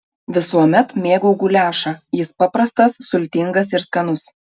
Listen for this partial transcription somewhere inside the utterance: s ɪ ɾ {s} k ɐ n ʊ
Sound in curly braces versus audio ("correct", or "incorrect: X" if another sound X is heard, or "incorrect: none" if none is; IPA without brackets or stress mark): correct